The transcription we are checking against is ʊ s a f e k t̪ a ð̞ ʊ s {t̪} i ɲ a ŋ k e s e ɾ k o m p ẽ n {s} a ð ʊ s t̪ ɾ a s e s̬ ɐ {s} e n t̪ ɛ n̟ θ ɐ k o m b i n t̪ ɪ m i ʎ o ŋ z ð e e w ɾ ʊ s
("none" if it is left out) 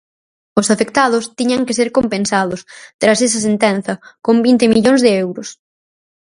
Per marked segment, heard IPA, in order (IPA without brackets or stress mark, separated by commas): t̪, s, s